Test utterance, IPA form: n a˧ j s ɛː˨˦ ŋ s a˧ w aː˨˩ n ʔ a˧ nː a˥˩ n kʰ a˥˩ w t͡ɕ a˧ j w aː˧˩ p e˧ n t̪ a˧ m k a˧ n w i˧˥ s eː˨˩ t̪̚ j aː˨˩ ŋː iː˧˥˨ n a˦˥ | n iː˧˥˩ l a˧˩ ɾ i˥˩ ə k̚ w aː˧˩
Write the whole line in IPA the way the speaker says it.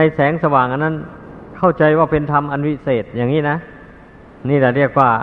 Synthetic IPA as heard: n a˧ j s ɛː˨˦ ŋ s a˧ w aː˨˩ ŋ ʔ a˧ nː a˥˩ n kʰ a˥˩ w t͡ɕ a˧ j w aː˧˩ p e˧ n t̪ʰ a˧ m ʔ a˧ n w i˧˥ s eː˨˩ t̪̚ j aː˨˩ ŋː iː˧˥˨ n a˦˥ | n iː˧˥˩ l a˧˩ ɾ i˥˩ ə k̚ w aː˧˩